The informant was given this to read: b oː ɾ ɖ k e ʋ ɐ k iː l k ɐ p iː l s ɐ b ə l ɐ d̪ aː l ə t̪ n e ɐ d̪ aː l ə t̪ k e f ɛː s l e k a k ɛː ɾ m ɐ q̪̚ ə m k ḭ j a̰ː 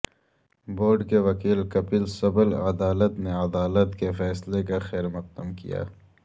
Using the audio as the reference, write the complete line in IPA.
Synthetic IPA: b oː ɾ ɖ k e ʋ ɐ k iː l k ɐ p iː l s ɐ b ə l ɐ d̪ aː l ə t̪ n e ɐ d̪ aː l ə t̪ k e f ɛː s l e k a x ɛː ɾ m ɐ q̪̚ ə m k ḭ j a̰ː